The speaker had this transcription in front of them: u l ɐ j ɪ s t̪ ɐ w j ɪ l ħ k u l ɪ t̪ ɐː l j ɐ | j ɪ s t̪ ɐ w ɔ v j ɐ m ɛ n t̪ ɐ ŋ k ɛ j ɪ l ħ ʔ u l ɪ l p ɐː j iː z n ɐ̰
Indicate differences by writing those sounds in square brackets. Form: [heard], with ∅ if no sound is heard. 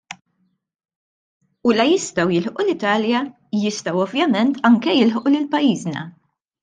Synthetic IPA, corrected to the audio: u l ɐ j ɪ s t̪ ɐ w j ɪ l ħ [ʔ] u l ɪ t̪ ɐː l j ɐ | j ɪ s t̪ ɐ w ɔ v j ɐ m ɛ n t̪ ɐ ŋ k ɛ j ɪ l ħ ʔ u l ɪ l p [ɐ] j iː z n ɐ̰